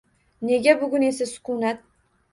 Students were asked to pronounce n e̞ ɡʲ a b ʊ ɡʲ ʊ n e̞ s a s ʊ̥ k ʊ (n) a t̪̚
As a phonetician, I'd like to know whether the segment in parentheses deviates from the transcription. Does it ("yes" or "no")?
no